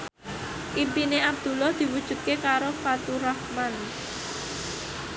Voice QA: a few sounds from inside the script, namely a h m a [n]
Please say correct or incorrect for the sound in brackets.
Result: correct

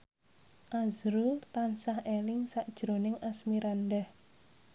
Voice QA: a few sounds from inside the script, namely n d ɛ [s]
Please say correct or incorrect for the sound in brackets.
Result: incorrect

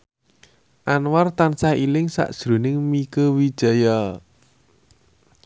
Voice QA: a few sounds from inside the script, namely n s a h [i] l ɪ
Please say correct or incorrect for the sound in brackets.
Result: correct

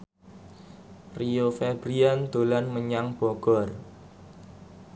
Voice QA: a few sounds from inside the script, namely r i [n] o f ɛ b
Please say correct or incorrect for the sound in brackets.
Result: incorrect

